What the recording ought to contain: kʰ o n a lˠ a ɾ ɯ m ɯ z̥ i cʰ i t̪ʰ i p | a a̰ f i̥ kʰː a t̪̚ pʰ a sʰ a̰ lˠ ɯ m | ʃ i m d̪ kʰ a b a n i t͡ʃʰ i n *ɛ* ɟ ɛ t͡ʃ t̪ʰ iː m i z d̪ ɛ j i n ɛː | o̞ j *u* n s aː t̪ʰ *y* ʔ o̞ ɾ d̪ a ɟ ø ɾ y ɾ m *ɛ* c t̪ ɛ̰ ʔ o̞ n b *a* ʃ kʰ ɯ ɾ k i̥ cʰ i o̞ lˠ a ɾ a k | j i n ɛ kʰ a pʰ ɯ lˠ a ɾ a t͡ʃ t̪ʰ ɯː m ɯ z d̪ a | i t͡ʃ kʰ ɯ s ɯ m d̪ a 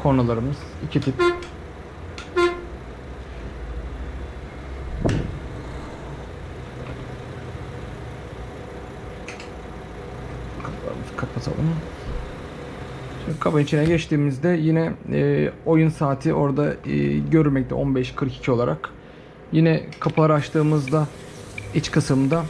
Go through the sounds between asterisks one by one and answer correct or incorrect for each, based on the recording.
correct, correct, incorrect, correct, incorrect

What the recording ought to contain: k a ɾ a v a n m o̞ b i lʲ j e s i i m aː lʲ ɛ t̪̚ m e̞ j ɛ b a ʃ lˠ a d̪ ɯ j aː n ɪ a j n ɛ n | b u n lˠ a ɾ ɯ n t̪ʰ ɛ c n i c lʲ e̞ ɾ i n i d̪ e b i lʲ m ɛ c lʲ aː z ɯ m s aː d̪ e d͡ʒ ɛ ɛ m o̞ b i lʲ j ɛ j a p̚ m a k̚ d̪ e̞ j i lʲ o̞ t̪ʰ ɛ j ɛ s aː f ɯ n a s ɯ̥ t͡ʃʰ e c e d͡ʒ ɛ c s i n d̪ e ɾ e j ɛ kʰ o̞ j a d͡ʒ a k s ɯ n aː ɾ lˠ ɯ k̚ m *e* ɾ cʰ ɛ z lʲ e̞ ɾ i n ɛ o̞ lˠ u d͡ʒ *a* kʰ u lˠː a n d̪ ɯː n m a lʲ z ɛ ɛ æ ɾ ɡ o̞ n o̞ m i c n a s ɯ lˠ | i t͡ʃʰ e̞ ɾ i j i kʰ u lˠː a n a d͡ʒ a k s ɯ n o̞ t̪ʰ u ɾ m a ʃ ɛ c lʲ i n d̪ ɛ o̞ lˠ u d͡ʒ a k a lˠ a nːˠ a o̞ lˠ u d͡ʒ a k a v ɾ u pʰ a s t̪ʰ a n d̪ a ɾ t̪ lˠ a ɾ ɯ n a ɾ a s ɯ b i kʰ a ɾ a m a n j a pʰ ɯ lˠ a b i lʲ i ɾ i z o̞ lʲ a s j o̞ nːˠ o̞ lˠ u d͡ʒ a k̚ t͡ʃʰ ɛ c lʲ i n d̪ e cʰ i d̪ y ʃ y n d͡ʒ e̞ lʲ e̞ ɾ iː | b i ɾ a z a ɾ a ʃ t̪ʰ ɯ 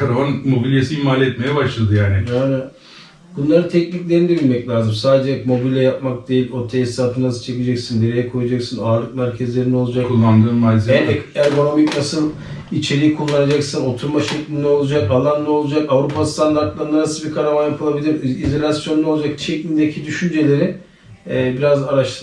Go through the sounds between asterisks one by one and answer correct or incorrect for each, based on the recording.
incorrect, correct

